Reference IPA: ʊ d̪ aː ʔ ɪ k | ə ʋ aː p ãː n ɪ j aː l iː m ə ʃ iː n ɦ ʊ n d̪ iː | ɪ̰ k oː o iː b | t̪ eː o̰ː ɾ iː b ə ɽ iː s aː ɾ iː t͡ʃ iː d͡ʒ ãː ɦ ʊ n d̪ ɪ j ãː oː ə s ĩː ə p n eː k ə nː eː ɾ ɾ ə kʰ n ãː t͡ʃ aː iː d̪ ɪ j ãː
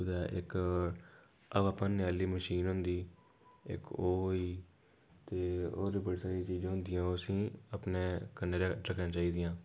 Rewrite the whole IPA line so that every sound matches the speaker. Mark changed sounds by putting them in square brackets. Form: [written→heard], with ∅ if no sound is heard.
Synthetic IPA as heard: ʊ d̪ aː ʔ ɪ k | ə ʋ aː p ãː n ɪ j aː l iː m ə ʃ iː n ɦ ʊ n d̪ iː | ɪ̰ k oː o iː [b→∅] | t̪ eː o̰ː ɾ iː b ə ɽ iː s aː ɾ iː t͡ʃ iː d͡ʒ ãː ɦ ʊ n d̪ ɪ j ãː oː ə s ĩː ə p n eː k ə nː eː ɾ ɾ ə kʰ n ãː t͡ʃ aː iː d̪ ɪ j ãː